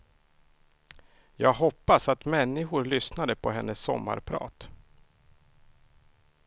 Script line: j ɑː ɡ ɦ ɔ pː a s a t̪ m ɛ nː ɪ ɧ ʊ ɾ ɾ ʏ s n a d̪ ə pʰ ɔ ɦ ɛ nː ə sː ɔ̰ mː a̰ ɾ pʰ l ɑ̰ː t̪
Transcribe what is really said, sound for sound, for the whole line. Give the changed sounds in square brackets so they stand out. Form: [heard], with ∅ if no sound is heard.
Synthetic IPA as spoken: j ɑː ɡ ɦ ɔ pː a s a t̪ m ɛ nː ɪ ɧ ʊ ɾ [ɭ] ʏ s n a d̪ ə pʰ ɔ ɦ ɛ nː ə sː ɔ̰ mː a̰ ɾ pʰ [ɾ] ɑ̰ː t̪